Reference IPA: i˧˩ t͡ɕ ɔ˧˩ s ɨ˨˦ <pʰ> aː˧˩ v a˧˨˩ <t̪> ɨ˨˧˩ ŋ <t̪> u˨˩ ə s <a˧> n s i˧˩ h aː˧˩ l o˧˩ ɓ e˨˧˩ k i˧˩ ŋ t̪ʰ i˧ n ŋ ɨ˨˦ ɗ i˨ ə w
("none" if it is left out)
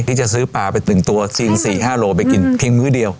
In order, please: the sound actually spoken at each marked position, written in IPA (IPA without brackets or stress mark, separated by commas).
p, t̪, t̪, i˧